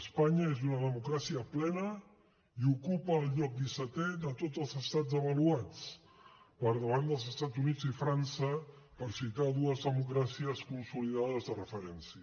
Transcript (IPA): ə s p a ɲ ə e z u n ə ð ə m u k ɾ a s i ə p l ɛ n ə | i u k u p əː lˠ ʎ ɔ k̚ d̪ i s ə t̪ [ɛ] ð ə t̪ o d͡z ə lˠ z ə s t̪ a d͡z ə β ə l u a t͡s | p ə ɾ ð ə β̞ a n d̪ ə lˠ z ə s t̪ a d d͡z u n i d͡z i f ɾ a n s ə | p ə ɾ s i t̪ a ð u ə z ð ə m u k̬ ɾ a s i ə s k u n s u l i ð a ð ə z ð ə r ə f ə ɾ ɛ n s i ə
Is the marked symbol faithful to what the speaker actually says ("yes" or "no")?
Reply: yes